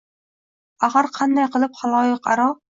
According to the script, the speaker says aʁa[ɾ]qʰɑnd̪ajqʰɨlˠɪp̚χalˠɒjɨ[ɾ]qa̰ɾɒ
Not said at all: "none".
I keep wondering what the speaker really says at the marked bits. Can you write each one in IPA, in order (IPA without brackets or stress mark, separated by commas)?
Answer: ɾ, none